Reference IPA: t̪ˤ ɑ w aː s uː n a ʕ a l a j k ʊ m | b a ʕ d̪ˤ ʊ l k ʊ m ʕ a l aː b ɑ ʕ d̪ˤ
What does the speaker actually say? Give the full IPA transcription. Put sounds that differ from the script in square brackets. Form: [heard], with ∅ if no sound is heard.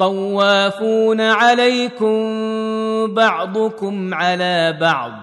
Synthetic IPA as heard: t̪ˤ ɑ [wː] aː [f] uː n a ʕ a l a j k ʊ m | b [ɑ] ʕ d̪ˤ ʊ [∅] k ʊ m ʕ a l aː b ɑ ʕ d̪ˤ